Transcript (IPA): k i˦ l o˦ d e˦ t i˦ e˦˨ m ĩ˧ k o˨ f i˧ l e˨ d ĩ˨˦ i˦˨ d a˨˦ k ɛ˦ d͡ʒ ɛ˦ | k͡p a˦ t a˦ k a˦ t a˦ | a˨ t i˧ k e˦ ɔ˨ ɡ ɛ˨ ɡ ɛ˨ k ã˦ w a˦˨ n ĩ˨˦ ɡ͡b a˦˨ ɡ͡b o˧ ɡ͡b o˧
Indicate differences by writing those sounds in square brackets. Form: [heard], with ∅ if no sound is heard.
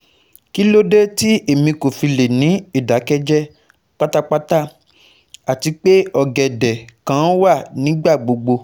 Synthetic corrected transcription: k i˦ l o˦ d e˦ t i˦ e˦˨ m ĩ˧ k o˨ f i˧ l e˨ [n] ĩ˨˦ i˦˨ d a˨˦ k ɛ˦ d͡ʒ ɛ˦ | k͡p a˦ t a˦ [k͡p] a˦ t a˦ | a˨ t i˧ [k͡p] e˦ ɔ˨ ɡ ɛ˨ [d] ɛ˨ k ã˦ w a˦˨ n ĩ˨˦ ɡ͡b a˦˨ ɡ͡b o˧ ɡ͡b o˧

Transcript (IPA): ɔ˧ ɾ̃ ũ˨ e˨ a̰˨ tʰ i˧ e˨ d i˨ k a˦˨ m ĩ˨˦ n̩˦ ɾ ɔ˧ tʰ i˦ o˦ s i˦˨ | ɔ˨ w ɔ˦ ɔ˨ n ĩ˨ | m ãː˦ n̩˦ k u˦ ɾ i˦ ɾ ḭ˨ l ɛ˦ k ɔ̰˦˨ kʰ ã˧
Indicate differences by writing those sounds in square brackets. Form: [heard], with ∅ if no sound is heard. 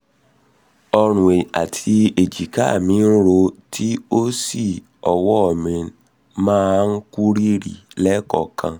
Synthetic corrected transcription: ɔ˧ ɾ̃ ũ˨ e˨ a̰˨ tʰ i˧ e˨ [d͡ʒ] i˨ k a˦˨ m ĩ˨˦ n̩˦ ɾ [o˧] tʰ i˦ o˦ s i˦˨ | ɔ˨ w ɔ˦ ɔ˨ [m] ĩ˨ | m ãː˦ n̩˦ k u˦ ɾ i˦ ɾ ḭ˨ l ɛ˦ k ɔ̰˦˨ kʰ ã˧

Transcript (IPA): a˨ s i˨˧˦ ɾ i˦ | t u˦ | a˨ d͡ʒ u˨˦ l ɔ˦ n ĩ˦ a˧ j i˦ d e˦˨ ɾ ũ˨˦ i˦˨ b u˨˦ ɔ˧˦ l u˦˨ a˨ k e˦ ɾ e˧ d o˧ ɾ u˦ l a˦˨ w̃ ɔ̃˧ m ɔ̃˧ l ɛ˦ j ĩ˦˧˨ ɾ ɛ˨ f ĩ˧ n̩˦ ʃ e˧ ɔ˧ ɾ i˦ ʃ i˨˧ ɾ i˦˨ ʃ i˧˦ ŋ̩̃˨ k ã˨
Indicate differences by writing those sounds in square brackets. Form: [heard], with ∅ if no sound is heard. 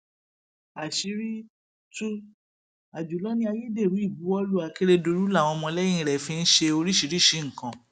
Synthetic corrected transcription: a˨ [ʃ] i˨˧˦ ɾ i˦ | t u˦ | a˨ d͡ʒ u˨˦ l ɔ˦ n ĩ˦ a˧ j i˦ d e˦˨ ɾ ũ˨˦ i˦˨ b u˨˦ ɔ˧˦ l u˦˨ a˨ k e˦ ɾ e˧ d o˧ ɾ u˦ l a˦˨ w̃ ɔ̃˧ m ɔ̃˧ l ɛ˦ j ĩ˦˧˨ ɾ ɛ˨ f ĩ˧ n̩˦ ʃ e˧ [o˧] ɾ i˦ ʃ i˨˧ ɾ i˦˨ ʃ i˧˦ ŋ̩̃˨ k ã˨

